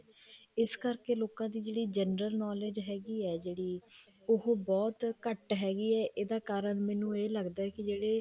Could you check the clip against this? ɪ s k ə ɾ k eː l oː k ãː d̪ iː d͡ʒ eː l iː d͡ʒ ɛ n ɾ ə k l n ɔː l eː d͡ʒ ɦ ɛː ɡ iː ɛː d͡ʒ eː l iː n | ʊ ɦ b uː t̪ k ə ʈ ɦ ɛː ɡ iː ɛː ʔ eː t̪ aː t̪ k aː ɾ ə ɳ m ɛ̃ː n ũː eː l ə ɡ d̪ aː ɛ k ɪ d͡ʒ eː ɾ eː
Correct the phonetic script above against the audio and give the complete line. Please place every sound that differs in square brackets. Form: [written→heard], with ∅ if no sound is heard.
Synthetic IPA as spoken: ɪ s k ə ɾ k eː l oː k ãː d̪ iː d͡ʒ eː [l→ɽ] iː d͡ʒ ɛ n ɾ ə [k→∅] l n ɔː l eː d͡ʒ ɦ ɛː ɡ iː ɛː d͡ʒ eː [l→ɽ] iː [n→∅] | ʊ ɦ b [uː→ɔː] t̪ k ə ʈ ɦ ɛː ɡ iː ɛː ʔ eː [t̪→d̪] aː [t̪→∅] k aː ɾ ə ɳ m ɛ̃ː n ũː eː l ə ɡ d̪ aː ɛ k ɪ d͡ʒ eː [ɾ→ɽ] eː